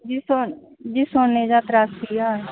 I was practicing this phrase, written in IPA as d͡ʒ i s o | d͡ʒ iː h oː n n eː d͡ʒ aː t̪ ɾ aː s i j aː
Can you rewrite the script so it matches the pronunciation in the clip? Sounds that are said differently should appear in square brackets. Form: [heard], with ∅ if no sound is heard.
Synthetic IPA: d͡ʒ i s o | d͡ʒ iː [s] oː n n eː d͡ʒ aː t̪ ɾ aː s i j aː